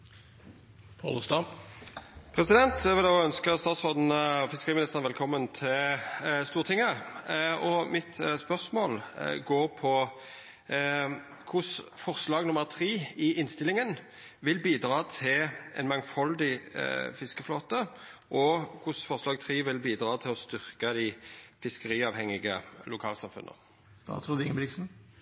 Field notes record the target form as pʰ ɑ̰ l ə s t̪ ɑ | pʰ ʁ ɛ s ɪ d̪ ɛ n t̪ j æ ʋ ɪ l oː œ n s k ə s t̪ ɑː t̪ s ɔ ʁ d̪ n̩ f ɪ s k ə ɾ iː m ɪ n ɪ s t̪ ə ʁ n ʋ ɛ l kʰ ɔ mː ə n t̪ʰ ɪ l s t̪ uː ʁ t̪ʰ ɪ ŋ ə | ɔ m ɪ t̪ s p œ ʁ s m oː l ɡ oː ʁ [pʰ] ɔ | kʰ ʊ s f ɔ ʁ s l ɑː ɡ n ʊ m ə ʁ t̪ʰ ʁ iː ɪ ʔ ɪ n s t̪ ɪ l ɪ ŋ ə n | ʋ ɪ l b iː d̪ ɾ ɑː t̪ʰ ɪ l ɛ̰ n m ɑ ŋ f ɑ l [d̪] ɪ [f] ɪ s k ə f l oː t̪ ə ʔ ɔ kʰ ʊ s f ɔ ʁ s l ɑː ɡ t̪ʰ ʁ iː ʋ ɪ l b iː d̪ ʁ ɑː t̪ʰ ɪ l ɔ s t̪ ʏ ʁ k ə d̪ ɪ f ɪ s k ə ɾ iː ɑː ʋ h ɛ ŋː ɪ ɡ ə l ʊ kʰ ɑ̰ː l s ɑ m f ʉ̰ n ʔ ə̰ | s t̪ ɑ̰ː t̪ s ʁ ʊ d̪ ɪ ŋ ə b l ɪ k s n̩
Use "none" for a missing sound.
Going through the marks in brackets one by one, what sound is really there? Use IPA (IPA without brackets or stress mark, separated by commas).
pʰ, d̪, f